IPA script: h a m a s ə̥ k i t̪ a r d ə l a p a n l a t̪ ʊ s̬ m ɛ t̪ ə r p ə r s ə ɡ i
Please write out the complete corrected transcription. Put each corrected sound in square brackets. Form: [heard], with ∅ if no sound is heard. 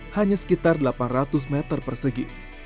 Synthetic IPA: h a [ɲ] a s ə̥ k i t̪ a r d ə l a p a n [r] a t̪ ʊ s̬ m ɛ t̪ ə r p ə r s ə ɡ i